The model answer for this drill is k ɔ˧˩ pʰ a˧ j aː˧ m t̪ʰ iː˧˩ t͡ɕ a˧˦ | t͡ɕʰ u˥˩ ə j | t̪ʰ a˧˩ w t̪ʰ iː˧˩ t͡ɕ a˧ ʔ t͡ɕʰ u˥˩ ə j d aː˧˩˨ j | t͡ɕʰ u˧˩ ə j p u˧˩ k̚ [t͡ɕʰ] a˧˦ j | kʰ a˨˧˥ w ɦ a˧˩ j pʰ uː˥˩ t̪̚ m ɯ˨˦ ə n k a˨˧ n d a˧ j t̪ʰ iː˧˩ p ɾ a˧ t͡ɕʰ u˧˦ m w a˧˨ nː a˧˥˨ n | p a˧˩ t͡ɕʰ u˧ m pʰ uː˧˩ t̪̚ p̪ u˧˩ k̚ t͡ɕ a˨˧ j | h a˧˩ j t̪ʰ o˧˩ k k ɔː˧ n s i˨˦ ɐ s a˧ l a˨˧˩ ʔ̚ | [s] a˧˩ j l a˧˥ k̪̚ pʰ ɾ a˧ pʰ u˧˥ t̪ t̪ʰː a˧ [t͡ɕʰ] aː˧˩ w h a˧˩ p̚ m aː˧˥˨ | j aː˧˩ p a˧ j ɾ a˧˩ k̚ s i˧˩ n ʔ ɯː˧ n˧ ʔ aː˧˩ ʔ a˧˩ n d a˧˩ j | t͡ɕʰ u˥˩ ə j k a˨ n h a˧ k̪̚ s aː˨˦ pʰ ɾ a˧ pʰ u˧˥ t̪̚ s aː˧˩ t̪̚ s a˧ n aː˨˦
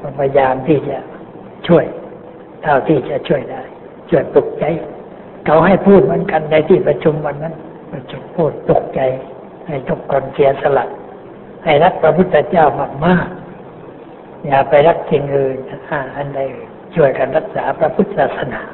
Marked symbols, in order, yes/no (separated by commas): no, no, no